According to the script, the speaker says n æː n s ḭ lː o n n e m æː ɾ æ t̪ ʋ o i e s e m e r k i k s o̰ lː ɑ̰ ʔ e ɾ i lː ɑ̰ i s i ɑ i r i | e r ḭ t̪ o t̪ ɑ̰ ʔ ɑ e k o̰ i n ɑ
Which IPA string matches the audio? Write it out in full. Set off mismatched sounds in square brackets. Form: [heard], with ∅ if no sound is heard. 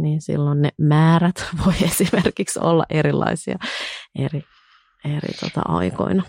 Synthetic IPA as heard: n [iː] n s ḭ lː o n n e m æː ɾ æ t̪ ʋ o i e s [i] m e r k i k s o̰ lː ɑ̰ ʔ e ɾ i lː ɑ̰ i s i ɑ [e] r i | e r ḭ t̪ o t̪ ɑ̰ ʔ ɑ [i] k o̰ i n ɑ